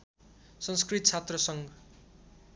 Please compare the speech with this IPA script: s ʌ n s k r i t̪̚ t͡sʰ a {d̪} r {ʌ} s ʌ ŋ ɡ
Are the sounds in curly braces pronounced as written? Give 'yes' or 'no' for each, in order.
no, yes

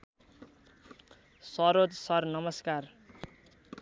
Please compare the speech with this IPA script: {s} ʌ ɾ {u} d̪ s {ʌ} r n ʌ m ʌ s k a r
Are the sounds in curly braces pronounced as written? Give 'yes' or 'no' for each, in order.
yes, no, yes

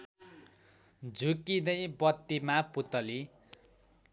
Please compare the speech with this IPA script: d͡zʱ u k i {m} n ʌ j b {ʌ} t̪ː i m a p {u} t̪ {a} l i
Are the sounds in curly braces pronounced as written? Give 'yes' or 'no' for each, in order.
no, yes, yes, no

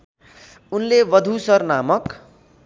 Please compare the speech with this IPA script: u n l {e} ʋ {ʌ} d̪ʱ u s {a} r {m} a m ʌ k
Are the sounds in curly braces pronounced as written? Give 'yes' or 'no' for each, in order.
yes, yes, no, no

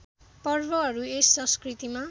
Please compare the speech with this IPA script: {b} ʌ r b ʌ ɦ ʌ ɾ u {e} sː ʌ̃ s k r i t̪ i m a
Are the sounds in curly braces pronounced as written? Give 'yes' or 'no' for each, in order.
no, yes

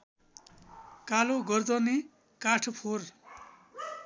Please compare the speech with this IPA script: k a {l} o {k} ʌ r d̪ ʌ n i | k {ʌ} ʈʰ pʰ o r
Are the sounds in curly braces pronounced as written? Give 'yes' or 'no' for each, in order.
yes, no, no

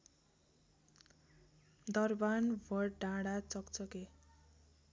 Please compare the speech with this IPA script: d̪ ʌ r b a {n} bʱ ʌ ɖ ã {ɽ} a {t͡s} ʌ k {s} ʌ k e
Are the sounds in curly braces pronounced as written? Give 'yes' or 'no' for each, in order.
yes, yes, yes, no

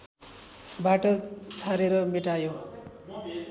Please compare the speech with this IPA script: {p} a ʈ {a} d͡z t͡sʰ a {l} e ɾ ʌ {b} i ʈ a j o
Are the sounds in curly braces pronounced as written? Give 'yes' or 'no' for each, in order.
no, no, no, no

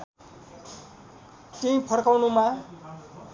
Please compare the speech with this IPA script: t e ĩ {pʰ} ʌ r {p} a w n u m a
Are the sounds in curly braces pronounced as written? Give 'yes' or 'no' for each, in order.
yes, no

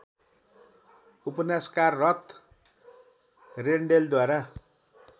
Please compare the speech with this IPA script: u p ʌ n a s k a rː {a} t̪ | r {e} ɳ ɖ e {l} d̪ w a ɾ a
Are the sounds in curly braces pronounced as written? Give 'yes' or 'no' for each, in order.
no, yes, yes

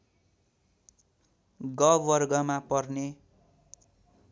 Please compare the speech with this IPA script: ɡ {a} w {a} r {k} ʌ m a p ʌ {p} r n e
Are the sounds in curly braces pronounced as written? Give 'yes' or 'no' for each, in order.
no, no, no, no

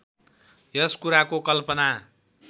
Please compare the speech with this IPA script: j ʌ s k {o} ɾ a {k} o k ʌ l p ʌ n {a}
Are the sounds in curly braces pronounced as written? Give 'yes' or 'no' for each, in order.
no, yes, yes

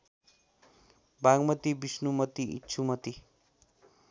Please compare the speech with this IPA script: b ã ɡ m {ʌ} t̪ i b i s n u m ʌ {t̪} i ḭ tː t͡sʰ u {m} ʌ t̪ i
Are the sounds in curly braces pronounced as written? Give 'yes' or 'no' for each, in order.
yes, yes, yes

